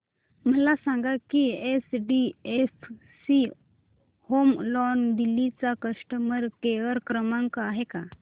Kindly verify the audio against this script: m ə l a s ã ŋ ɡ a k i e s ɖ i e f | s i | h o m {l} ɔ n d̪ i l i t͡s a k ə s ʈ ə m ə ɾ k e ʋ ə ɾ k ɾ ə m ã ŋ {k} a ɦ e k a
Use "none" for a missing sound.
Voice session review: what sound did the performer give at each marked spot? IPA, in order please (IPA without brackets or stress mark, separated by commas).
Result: l, k